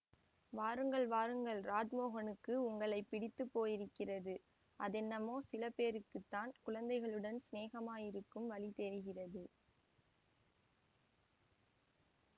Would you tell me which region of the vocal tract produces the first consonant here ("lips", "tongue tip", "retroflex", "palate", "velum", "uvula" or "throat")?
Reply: lips